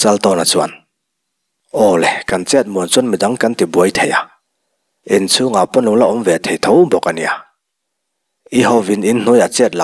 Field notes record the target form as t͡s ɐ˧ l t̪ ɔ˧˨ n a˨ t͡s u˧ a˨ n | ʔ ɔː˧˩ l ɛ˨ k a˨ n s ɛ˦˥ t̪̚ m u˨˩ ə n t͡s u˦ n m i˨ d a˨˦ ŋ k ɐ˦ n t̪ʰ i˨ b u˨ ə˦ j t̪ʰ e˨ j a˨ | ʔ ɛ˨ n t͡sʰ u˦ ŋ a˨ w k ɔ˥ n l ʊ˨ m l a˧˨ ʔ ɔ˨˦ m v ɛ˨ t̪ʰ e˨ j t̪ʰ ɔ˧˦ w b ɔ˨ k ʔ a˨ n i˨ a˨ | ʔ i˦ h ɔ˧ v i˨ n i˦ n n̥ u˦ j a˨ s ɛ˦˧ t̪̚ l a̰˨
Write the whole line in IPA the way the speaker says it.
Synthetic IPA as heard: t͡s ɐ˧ l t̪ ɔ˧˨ n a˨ t͡s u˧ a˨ n | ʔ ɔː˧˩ l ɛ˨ k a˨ n t͡s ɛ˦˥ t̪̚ m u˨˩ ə n t͡s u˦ n m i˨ d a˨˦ ŋ k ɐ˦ n t̪ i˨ b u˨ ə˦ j t̪ʰ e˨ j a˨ | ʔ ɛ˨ n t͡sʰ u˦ ŋ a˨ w p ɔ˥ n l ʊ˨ ŋ l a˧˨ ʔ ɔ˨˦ m v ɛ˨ t̪ʰ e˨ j t̪ʰ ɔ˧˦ w b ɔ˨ k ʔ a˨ n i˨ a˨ | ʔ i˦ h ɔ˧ v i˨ n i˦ n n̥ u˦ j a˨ t͡s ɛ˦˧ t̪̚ l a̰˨